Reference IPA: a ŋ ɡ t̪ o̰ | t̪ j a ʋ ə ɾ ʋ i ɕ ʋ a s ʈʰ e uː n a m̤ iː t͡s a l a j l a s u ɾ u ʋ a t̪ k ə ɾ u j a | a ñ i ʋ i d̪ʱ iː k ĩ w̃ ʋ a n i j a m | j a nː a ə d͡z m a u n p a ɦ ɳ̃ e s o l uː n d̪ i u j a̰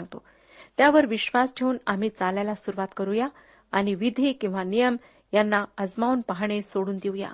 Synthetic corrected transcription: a ŋ ɡ t̪ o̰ | t̪ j a ʋ ə ɾ ʋ i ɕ ʋ a s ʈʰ e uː n a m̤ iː t͡s a l a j l a s u ɾ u ʋ a t̪ k ə ɾ u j a | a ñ i ʋ i d̪ʱ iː k ĩ w̃ ʋ a n i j ə m | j a nː a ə d͡z m a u n p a ɦ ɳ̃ e s o ɽ uː n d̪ i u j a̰